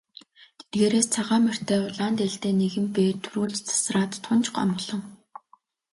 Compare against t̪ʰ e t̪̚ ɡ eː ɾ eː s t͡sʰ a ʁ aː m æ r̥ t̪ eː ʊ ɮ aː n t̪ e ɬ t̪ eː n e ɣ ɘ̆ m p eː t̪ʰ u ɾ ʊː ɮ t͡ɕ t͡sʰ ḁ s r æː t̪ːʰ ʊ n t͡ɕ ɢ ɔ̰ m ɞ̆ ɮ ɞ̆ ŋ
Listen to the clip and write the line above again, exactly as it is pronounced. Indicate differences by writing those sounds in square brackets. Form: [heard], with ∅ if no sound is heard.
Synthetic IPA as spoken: t̪ʰ e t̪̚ ɡ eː ɾ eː s t͡sʰ a ʁ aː m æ r̥ t̪ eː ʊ ɮ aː n t̪ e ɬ t̪ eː n e ɣ ɘ̆ m p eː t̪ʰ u ɾ [uː] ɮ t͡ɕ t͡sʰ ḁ s r [aː] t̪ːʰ ʊ n t͡ɕ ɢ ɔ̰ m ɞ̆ ɮ ɞ̆ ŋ